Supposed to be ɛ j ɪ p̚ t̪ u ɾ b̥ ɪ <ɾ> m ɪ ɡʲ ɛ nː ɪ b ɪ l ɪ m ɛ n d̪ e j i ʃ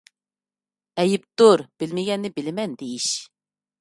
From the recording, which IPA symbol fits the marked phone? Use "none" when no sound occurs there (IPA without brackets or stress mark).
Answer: l